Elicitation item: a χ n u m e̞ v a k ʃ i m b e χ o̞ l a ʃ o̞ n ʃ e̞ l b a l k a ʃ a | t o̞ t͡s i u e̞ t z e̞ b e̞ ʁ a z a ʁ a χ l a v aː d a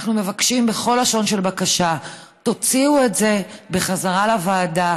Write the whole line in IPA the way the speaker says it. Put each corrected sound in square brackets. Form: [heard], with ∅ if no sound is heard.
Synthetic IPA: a χ n u m e̞ v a k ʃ i m b e χ o̞ l a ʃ o̞ n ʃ e̞ l b a [∅] k a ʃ a | t o̞ t͡s i u e̞ t z e̞ b e̞ [χ] a z a ʁ a [∅] l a v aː d a